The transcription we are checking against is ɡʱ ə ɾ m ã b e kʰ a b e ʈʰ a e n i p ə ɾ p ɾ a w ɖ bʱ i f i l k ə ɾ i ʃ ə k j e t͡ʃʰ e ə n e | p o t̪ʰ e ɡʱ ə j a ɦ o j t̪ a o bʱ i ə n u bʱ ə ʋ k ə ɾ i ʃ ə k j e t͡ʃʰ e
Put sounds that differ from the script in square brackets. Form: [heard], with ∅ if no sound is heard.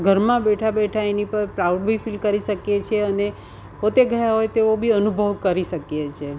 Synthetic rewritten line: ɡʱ ə ɾ m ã b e [ʈʰ] a b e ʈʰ a e n i p ə ɾ p ɾ a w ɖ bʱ i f i l k ə ɾ i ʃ ə k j e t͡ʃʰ e ə n e | p o [t̪] e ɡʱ ə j a ɦ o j t̪ [e] o bʱ i ə n u bʱ ə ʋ k ə ɾ i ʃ ə k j e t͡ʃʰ e